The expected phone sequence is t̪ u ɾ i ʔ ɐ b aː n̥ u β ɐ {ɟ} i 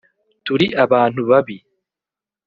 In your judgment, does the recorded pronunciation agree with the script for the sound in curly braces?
no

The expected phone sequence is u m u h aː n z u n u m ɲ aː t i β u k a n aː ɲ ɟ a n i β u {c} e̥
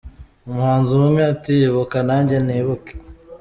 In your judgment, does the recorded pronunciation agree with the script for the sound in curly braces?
no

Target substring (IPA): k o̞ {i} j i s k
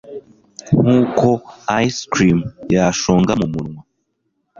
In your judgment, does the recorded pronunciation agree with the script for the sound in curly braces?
no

